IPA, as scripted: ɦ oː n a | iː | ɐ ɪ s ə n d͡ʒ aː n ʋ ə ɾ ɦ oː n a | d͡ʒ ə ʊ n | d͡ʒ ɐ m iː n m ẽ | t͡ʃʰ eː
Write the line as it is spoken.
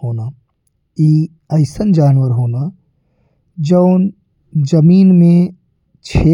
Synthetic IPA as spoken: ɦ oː n a | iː | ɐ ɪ s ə n d͡ʒ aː n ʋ ə ɾ ɦ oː n a | d͡ʒ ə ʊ n | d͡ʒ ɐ m iː n m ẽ | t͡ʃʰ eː